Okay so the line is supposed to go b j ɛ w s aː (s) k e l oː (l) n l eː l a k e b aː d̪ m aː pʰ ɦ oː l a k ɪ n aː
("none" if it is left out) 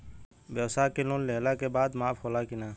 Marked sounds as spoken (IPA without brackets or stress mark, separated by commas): none, none